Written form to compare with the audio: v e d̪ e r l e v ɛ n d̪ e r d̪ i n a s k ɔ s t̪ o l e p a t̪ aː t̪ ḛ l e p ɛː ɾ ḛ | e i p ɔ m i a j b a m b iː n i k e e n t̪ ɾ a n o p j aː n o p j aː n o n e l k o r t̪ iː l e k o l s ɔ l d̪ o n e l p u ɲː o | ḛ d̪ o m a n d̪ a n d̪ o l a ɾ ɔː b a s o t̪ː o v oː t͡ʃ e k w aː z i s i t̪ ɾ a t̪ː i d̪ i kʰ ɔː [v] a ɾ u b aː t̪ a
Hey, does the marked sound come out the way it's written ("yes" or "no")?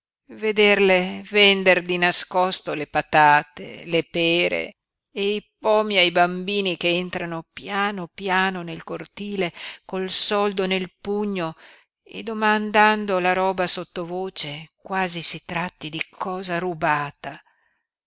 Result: no